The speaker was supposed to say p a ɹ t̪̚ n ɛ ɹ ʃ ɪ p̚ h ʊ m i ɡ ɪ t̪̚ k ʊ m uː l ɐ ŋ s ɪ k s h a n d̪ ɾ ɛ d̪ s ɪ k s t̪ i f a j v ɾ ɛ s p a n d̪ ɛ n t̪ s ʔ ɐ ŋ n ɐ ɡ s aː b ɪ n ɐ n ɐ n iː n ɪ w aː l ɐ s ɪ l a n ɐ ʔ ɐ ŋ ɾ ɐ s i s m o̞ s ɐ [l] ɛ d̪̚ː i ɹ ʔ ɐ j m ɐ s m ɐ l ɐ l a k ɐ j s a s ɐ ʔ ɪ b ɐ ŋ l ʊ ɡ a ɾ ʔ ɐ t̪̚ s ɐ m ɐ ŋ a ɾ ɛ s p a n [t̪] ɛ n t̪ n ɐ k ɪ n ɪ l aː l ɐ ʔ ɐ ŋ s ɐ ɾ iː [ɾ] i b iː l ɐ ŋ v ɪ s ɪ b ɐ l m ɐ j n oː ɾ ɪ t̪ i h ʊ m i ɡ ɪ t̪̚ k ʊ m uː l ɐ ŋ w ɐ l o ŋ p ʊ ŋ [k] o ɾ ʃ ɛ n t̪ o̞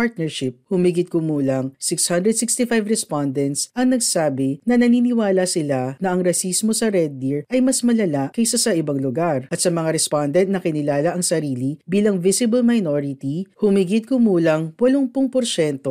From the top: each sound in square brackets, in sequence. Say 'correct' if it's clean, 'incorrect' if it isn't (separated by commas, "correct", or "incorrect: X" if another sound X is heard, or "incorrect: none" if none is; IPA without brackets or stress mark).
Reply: incorrect: ɾ, incorrect: d̪, incorrect: l, incorrect: p